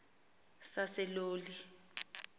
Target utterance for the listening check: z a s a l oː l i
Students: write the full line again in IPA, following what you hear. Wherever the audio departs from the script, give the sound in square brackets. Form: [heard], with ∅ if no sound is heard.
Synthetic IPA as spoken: [s] a s [ɛ] l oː l i